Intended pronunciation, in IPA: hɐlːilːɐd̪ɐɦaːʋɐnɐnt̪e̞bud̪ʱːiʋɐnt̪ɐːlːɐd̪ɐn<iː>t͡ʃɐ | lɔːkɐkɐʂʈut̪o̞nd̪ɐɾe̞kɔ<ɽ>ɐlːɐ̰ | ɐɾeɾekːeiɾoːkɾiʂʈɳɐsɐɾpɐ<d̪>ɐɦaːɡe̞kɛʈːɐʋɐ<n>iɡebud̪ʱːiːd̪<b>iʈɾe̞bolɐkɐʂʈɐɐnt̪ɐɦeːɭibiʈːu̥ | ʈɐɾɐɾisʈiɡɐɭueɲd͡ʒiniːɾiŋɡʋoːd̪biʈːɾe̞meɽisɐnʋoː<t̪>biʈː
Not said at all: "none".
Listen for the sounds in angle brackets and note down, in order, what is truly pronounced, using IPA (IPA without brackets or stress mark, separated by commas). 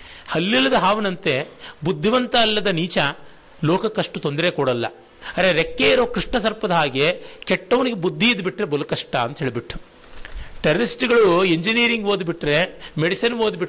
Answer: iː, ɽ, d̪, n, b, d̪